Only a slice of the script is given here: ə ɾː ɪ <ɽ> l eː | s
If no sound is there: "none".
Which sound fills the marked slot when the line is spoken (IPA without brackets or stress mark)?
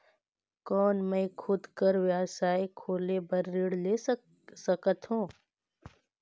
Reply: ɽ